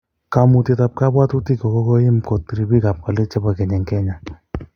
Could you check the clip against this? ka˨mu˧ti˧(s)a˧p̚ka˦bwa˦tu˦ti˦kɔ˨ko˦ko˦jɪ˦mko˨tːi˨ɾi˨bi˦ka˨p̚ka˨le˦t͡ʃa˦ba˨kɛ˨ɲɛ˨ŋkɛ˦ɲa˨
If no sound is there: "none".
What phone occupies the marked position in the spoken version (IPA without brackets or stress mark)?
t